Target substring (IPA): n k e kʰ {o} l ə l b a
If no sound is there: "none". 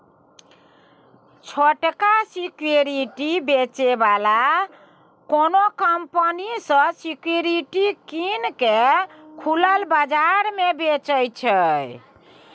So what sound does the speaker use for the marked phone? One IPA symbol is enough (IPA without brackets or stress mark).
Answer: u